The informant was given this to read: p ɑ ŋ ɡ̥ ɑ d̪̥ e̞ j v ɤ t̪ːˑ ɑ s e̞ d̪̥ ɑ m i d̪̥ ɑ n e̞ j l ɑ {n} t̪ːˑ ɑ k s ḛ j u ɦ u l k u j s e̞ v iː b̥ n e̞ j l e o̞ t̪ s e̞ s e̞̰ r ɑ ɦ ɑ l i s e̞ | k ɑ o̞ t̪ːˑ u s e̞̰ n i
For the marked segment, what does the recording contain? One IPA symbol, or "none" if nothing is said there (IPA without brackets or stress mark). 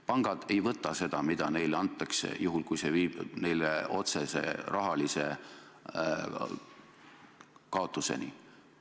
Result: n